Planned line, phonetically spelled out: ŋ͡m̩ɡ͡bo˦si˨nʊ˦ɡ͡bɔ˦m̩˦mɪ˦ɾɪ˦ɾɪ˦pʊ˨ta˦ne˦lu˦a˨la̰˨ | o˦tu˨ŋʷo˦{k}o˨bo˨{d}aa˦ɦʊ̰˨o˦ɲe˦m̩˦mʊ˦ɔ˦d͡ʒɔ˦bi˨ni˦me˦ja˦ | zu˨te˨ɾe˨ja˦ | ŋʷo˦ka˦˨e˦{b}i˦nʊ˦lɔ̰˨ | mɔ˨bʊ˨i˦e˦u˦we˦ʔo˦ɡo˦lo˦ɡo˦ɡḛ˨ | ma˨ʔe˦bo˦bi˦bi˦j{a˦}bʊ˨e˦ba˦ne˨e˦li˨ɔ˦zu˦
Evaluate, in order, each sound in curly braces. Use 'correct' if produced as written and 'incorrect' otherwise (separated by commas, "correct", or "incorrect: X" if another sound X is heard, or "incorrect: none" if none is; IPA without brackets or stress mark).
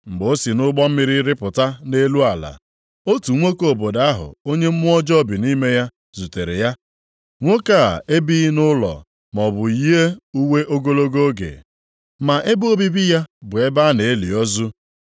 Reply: correct, correct, correct, correct